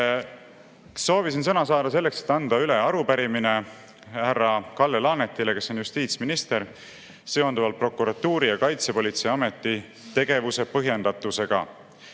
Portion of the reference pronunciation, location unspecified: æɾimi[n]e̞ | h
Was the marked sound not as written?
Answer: no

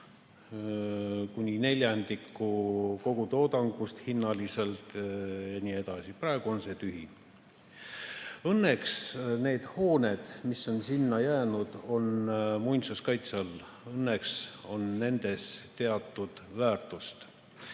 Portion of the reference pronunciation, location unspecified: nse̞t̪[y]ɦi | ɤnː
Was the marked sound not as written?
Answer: no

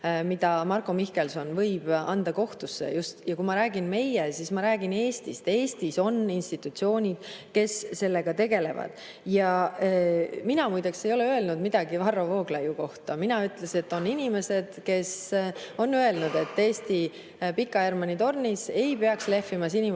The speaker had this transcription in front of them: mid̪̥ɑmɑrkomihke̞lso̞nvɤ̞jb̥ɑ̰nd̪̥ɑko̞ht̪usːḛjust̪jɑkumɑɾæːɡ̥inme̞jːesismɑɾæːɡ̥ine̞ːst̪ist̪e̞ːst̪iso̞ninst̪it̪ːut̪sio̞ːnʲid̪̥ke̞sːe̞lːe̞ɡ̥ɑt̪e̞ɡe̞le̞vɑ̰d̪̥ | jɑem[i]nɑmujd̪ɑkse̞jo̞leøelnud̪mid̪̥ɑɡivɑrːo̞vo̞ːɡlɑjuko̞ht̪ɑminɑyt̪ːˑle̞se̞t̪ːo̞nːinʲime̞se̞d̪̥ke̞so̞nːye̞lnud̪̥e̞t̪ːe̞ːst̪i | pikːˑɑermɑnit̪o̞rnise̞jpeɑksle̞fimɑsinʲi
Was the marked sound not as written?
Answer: no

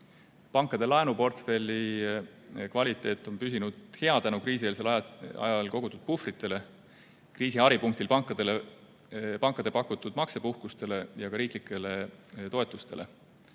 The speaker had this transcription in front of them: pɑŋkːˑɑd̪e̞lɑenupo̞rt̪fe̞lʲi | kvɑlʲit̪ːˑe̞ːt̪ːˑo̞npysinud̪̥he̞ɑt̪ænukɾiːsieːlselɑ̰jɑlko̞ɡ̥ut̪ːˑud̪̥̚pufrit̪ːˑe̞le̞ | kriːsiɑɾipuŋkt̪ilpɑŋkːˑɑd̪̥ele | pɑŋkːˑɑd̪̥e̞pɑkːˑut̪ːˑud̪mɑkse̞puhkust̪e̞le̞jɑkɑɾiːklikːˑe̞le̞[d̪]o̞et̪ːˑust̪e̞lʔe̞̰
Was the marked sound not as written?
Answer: yes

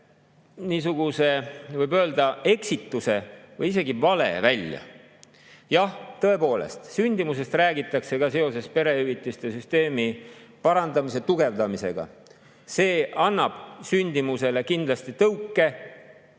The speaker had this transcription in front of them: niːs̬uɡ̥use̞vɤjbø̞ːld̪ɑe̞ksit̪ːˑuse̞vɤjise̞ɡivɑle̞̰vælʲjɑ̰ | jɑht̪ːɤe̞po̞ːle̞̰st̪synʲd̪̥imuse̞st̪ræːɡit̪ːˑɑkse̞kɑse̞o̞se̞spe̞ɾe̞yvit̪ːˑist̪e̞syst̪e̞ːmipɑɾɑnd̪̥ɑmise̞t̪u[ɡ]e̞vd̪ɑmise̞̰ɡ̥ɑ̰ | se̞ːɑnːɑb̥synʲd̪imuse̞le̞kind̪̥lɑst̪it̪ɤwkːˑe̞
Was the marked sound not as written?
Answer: no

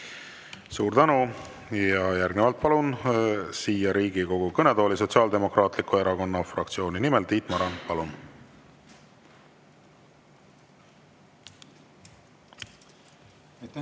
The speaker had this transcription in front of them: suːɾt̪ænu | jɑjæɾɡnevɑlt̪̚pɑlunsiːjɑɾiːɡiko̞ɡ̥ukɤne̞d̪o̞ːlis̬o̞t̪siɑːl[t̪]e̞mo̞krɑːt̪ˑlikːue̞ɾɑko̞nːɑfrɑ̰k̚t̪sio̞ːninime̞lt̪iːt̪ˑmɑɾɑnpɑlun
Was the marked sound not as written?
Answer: yes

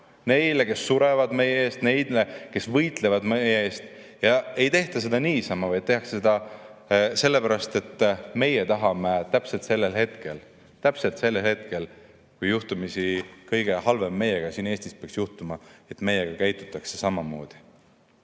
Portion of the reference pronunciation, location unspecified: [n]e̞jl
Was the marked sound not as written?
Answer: no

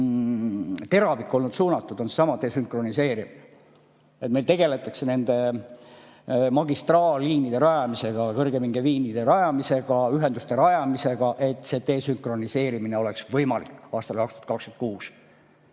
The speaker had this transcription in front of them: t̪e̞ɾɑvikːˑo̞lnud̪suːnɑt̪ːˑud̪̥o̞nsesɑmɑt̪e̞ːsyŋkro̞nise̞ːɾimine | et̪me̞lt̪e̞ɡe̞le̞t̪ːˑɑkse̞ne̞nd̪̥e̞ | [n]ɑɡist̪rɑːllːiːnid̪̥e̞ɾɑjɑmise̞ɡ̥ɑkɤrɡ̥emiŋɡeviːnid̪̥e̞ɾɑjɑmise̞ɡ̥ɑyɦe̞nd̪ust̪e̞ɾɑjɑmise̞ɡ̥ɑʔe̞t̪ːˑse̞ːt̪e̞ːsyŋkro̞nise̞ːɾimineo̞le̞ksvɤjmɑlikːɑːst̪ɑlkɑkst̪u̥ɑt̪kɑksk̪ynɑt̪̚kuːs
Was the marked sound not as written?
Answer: yes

